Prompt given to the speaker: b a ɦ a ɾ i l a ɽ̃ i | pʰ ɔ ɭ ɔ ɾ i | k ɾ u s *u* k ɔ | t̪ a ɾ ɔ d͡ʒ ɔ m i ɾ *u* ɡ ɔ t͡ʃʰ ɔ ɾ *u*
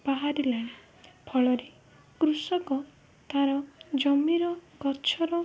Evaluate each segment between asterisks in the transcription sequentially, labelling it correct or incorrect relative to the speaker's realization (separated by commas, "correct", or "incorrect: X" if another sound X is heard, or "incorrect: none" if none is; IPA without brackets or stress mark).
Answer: incorrect: ɔ, incorrect: ɔ, incorrect: ɔ